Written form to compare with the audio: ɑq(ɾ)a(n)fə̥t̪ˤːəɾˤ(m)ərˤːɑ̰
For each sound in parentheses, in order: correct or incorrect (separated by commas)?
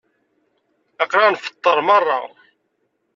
correct, correct, correct